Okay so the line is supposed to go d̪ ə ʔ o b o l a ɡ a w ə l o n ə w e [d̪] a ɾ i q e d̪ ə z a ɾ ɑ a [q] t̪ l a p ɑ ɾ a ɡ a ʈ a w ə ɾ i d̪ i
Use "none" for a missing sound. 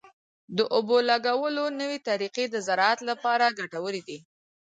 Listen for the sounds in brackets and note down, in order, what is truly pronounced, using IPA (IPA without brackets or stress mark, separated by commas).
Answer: t̪, none